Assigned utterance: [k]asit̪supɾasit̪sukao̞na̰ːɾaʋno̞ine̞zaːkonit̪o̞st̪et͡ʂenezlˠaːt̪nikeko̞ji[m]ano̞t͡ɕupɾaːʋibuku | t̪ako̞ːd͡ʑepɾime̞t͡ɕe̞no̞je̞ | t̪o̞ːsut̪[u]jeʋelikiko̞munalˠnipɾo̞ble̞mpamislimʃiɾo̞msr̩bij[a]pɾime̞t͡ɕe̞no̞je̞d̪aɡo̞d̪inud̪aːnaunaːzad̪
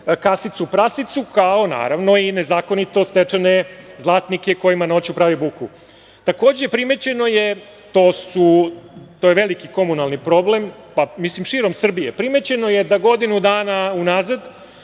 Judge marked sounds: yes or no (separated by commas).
yes, yes, no, no